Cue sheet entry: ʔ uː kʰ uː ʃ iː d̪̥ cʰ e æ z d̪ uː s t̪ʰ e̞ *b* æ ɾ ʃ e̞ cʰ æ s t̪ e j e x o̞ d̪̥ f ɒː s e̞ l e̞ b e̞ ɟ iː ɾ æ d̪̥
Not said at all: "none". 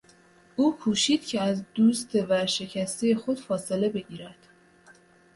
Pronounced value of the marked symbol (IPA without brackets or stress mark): v